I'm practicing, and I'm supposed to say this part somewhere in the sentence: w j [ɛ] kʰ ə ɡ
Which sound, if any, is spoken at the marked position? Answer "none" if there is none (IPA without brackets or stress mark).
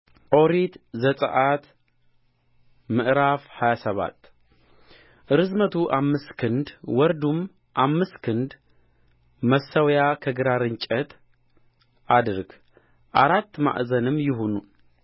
a